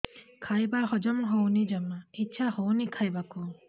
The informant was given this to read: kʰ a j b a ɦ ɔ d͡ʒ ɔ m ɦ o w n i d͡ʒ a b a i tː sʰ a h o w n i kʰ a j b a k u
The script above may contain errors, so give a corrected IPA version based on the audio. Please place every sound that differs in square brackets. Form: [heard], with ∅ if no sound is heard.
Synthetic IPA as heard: kʰ a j b a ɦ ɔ d͡ʒ ɔ m ɦ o w n i d͡ʒ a [m] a i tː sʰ a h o w n i kʰ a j b a k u